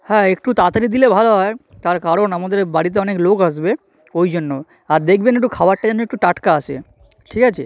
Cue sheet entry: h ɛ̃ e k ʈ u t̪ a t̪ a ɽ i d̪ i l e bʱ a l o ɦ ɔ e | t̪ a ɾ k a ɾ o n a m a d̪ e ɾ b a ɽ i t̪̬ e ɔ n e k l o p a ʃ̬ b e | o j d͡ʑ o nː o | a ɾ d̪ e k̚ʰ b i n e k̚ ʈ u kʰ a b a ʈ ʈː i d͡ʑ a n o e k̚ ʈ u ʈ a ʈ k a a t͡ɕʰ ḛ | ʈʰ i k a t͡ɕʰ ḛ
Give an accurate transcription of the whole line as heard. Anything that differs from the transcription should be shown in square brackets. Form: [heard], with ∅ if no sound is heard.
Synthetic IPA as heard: h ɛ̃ e k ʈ u t̪ a t̪ a [ɾ] i d̪ i l e bʱ a l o ɦ ɔ e | t̪ a ɾ k a ɾ o n a m a d̪ e ɾ b a ɽ i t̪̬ e ɔ n e k l o [k] a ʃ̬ b e | o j d͡ʑ o nː o | a ɾ d̪ e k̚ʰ b [e] n e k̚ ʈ u kʰ a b a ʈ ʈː [a] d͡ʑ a n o e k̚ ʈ u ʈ a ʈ k a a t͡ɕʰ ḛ | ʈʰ i k a t͡ɕʰ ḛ